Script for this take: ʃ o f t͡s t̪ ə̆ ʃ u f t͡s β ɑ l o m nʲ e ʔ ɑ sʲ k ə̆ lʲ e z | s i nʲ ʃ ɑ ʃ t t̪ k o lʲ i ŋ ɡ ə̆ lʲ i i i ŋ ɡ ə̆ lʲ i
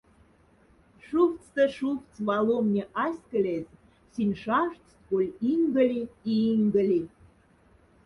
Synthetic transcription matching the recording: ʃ u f t͡s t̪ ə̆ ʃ u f t͡s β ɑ l o m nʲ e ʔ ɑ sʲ k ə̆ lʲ e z | s i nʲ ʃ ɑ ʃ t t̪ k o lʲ i ŋ ɡ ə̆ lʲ i i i ŋ ɡ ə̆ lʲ i